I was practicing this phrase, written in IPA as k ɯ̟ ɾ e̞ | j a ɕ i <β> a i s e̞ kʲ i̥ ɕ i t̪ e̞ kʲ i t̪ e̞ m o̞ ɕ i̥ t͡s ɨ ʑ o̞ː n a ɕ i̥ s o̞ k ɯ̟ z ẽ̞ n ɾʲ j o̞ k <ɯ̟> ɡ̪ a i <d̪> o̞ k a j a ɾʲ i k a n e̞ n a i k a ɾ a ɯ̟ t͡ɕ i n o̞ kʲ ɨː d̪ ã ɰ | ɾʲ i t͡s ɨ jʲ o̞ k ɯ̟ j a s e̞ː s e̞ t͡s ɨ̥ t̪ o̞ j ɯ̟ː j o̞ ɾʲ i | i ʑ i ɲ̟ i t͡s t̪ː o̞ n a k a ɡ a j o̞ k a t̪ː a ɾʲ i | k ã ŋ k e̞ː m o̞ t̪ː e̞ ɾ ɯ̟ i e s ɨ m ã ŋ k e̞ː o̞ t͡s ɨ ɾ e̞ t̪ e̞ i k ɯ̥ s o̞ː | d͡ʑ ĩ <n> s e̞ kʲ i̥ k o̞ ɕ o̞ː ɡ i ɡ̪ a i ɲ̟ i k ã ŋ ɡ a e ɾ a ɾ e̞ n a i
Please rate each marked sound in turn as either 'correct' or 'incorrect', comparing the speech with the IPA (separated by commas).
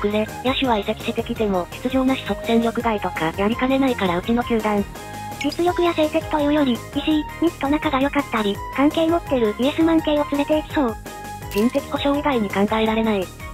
correct, correct, incorrect, correct